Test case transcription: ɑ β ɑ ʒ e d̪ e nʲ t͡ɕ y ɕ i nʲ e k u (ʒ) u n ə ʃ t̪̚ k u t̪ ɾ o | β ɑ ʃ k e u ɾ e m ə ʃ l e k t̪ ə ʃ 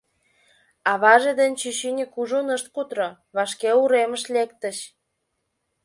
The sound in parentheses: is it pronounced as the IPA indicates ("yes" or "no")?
yes